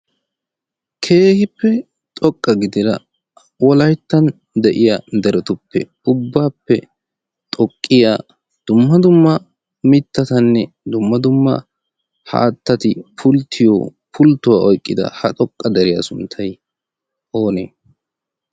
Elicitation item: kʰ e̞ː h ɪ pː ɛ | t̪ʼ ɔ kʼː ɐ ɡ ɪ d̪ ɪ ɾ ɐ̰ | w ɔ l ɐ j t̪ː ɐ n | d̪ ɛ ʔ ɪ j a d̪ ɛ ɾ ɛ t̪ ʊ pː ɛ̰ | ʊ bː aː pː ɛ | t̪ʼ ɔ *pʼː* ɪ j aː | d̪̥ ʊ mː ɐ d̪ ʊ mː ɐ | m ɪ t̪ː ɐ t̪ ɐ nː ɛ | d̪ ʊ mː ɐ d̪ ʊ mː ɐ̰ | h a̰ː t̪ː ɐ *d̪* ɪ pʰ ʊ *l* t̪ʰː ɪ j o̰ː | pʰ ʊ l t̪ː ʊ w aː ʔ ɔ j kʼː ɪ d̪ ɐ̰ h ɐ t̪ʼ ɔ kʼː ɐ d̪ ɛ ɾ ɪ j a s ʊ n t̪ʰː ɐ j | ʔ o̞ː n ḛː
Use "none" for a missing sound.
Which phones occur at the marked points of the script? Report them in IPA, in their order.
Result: kʼː, t̪, l

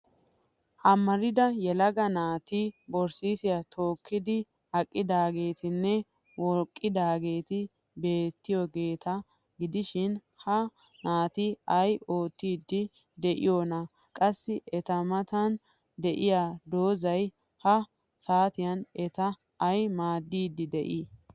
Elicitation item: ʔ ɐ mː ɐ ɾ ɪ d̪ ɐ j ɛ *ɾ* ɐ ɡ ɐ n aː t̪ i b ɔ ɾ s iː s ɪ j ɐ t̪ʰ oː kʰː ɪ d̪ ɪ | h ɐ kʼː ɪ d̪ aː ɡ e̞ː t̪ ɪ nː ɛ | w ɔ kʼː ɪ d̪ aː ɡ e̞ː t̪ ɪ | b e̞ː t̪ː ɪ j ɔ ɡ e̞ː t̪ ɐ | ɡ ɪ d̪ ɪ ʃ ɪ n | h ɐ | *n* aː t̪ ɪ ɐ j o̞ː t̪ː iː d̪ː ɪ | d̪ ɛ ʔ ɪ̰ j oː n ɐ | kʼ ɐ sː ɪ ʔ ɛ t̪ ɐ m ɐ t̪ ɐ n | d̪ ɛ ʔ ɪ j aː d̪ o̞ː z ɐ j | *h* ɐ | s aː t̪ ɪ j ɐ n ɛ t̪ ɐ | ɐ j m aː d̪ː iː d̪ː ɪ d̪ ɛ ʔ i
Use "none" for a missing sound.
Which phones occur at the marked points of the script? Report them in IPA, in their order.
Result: l, n, h

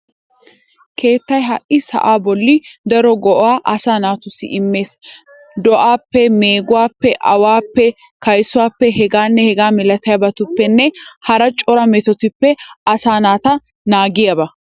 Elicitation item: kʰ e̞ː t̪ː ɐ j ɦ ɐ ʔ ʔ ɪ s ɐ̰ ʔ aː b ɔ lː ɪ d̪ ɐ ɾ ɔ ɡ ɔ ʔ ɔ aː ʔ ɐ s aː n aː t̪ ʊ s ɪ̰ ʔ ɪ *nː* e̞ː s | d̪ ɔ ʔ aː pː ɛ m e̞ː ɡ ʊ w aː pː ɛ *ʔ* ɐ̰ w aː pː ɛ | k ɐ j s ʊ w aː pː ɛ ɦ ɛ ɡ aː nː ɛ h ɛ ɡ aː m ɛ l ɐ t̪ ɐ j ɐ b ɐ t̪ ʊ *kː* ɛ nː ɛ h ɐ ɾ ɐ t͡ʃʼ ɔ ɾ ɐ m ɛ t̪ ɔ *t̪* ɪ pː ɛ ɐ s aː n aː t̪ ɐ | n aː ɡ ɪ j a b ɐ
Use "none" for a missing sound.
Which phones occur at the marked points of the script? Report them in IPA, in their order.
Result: mː, ʔ, pː, t̪

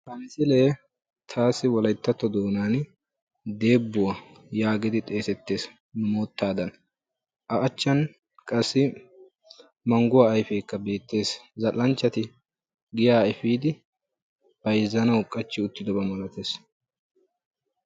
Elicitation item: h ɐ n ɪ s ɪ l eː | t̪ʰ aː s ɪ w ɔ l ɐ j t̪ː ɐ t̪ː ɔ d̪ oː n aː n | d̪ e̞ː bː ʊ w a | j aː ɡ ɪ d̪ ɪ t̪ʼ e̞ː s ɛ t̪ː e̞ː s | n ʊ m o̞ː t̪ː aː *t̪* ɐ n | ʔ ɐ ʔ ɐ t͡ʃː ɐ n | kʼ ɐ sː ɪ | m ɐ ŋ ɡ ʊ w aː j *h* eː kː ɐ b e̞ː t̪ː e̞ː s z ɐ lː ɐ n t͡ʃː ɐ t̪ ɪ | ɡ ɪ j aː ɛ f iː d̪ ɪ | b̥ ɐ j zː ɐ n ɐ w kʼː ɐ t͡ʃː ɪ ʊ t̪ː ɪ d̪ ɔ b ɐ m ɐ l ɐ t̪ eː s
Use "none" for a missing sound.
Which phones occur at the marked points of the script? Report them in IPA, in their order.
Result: d̪, f

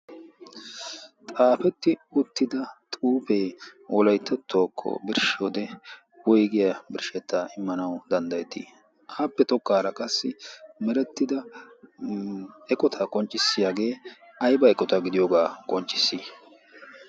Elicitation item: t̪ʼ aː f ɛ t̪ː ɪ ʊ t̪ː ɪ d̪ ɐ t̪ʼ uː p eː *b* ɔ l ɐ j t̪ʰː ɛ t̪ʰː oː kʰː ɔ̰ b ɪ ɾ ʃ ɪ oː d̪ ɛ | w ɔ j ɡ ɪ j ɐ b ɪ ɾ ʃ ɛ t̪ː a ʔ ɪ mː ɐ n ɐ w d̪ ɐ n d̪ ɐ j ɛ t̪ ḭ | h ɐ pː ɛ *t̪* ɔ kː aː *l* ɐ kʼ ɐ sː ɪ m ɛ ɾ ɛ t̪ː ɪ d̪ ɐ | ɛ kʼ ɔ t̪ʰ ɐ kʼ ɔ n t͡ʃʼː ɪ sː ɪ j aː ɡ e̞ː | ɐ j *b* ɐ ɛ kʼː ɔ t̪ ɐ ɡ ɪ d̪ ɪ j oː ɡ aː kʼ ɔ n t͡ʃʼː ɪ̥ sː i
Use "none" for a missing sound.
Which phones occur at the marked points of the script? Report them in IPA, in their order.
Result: w, t̪, ɾ, b

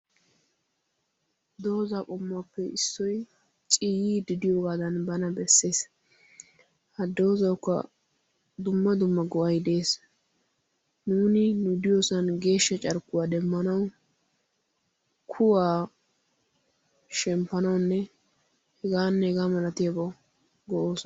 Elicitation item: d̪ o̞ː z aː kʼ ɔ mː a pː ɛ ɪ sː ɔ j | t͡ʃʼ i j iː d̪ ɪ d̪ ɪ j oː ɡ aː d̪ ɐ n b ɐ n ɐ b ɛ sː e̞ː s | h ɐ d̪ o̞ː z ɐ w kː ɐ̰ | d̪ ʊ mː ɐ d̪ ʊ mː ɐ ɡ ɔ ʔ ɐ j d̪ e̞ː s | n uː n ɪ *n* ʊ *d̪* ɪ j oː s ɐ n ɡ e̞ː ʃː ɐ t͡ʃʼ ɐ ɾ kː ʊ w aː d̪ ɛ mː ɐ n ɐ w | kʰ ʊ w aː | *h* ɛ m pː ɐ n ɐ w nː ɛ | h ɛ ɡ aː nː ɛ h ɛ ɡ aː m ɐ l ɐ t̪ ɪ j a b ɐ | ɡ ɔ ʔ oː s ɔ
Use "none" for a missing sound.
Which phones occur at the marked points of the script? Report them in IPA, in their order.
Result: n, d̪, ʃ

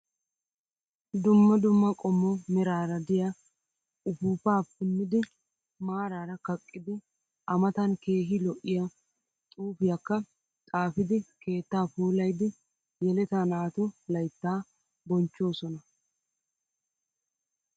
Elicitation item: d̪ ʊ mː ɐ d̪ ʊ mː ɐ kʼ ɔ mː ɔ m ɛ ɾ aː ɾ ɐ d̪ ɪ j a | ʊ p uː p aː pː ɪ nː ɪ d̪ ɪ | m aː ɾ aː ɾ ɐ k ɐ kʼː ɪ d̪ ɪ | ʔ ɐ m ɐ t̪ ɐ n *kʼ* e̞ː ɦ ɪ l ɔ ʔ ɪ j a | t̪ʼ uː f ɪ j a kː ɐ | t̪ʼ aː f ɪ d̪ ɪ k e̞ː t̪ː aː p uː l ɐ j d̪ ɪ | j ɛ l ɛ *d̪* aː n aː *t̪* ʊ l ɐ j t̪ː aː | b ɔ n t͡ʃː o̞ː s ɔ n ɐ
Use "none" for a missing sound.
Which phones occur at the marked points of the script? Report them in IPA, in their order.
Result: k, t̪, t̪

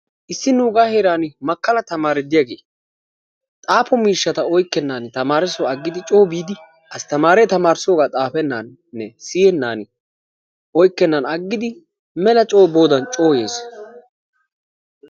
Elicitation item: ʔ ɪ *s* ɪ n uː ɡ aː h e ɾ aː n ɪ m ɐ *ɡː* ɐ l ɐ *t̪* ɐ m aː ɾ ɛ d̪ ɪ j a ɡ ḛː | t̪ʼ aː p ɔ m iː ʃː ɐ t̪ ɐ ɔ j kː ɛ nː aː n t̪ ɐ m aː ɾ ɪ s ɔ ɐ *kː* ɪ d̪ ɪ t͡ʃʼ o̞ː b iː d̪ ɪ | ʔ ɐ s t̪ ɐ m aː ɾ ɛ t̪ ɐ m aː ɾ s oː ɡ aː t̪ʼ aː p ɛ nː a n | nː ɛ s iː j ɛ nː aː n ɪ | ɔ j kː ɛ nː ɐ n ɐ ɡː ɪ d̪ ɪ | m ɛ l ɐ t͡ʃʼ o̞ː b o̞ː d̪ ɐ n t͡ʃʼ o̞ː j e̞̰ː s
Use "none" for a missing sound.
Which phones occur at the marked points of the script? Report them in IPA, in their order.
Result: sː, kː, t̪, ɡː

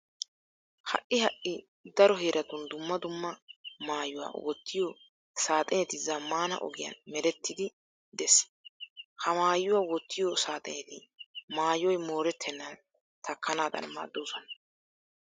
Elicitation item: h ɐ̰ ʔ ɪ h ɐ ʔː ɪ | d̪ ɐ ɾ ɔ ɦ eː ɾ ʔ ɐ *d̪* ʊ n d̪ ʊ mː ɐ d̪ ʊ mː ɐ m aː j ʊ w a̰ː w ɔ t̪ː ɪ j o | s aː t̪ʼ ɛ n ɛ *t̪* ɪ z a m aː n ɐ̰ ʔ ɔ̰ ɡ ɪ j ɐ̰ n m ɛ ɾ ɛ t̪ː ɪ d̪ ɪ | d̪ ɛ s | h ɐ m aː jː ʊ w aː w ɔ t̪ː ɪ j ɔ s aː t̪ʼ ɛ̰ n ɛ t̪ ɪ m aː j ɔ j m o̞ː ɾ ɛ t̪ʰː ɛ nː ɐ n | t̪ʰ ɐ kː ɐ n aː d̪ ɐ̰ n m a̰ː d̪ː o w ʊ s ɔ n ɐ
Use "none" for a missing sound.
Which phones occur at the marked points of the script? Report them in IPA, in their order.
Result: t̪, t̪

